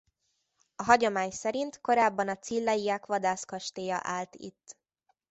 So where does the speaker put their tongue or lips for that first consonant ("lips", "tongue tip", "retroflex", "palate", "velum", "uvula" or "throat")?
throat